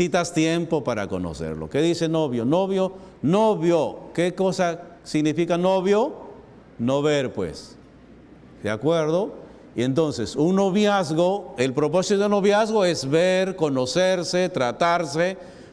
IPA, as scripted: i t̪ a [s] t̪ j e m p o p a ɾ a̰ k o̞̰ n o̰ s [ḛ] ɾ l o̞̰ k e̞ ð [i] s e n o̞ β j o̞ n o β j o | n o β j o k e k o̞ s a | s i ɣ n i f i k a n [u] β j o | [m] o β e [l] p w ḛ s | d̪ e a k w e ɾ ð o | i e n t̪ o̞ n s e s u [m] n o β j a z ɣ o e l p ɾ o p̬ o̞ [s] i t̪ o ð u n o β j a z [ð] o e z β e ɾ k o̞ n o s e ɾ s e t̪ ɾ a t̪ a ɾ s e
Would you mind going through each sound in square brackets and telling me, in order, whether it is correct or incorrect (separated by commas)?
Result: correct, correct, correct, incorrect, incorrect, incorrect, incorrect, correct, incorrect